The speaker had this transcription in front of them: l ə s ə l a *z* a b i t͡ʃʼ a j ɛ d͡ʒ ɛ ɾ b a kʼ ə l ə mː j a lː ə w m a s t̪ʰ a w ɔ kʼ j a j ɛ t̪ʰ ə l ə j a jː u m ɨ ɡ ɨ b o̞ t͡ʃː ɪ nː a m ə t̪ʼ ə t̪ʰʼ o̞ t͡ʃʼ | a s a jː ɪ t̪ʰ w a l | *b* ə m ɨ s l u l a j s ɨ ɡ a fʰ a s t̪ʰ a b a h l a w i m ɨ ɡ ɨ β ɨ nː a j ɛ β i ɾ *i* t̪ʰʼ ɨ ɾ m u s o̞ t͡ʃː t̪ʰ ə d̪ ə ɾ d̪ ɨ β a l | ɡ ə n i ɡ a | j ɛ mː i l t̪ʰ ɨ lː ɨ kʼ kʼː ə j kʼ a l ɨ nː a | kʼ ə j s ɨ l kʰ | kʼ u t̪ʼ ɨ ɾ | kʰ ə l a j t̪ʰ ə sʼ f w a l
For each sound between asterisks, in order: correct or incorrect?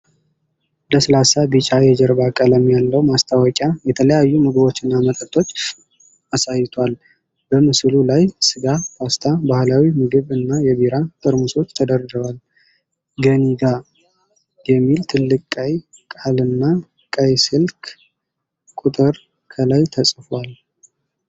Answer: incorrect: s, correct, incorrect: a

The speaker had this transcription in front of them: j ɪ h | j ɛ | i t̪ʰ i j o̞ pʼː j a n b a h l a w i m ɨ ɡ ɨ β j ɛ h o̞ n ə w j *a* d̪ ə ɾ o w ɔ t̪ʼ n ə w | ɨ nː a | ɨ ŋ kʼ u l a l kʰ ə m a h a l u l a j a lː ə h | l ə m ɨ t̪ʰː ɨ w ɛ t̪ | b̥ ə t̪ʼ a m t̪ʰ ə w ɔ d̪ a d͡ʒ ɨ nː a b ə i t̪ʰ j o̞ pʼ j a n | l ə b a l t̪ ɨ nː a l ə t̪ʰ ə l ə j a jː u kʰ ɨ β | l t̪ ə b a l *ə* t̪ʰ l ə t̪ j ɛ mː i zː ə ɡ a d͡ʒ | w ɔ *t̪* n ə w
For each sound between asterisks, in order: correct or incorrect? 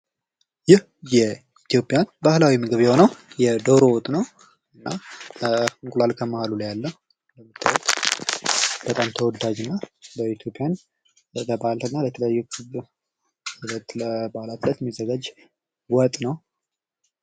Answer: incorrect: ɛ, incorrect: a, incorrect: t̪ʼ

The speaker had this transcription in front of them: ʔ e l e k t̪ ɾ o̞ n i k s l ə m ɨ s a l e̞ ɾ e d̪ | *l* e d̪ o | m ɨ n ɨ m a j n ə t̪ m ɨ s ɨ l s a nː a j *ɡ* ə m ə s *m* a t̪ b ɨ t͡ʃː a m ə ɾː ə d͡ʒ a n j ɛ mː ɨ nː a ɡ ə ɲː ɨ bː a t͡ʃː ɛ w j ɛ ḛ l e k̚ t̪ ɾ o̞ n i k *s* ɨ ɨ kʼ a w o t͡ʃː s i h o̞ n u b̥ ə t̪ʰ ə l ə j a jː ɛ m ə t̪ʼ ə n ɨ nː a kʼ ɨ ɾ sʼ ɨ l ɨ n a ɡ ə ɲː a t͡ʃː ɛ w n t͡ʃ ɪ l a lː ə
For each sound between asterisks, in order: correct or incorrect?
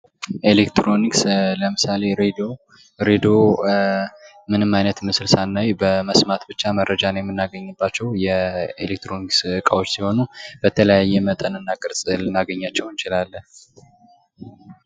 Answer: incorrect: ɾ, incorrect: b, correct, correct

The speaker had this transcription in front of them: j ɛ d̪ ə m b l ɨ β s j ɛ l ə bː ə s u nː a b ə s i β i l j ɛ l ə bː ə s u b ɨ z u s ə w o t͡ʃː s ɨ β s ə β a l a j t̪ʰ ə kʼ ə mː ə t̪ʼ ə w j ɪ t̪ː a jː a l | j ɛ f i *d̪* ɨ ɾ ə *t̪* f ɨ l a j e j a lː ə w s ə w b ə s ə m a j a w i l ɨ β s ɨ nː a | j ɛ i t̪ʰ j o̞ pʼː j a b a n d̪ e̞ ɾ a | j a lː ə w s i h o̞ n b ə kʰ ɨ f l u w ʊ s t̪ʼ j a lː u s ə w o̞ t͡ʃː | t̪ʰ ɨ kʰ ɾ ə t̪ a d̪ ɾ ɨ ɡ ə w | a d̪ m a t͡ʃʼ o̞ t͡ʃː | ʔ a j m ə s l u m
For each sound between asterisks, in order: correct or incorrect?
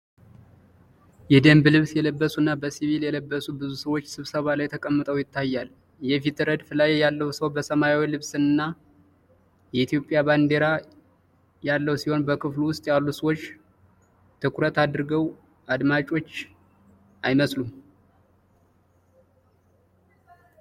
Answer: incorrect: t̪, incorrect: d̪

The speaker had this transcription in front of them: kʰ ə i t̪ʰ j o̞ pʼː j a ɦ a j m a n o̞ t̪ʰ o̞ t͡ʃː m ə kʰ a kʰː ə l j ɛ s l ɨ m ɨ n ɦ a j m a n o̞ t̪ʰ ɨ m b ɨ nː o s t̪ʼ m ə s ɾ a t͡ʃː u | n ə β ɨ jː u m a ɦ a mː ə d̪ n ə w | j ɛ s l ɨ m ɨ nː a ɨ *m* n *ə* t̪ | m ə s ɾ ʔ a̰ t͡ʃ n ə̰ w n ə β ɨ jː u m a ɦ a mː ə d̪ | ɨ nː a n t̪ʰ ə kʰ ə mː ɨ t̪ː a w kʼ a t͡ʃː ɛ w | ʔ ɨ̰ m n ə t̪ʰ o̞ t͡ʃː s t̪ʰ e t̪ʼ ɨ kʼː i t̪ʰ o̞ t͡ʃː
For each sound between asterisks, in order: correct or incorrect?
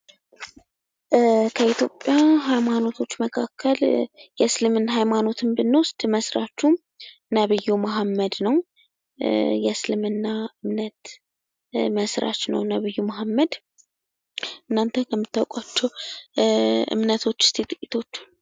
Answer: correct, correct

